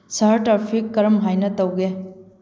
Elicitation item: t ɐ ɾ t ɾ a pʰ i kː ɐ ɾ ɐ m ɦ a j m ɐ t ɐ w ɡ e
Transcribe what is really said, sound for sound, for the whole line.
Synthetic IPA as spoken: s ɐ ɾ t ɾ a pʰ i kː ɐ ɾ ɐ m ɦ a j n ɐ t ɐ w ɡ e